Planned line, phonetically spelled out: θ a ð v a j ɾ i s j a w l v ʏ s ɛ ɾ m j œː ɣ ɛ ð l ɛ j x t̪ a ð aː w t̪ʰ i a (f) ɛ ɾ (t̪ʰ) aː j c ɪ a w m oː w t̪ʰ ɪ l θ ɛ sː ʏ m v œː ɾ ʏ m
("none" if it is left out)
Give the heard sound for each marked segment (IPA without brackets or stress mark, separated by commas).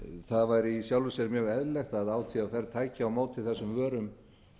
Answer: f, t̪ʰ